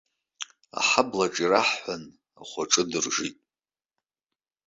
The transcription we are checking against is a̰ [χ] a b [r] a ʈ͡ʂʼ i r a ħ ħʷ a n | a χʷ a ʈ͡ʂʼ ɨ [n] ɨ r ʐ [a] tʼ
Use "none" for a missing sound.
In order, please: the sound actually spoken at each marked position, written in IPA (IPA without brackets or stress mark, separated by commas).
ħ, l, d, i